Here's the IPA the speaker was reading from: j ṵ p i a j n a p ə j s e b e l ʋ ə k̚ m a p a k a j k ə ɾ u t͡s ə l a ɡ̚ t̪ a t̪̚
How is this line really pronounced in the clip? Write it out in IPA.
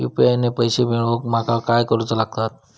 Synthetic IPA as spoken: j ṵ p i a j n e p ə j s e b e ɭ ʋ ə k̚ m a k a k a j k ə ɾ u t͡s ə l a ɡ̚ t̪ a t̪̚